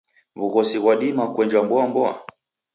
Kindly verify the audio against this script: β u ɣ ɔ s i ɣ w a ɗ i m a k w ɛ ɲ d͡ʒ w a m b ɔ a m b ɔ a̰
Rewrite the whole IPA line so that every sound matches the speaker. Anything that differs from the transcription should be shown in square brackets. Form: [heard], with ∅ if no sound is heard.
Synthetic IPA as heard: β u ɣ ɔ s i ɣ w a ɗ i m a k w ɛ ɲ d͡ʒ w a m b ɔ a m b ɔ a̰